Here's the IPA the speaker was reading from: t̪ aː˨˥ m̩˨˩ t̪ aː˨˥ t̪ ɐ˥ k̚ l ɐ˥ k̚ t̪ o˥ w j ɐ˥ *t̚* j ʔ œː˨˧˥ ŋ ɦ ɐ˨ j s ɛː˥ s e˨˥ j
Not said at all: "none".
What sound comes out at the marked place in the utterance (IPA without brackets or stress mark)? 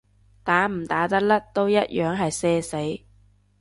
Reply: t̚